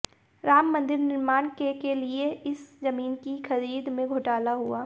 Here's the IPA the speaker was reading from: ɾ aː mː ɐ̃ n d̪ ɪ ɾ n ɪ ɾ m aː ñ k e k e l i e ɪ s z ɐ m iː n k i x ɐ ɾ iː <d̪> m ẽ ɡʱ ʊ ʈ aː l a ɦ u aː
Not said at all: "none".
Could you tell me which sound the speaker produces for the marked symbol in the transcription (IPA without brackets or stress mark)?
d̪